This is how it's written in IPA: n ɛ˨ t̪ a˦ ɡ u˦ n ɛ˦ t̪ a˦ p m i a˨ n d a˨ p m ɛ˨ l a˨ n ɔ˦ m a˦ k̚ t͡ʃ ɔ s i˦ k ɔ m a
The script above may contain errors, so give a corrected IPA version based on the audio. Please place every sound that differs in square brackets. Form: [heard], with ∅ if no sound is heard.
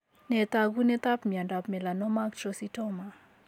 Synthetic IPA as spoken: n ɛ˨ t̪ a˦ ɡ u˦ n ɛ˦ t̪ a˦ p m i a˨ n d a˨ p m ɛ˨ l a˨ n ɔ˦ m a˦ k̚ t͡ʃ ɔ s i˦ [t] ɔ m a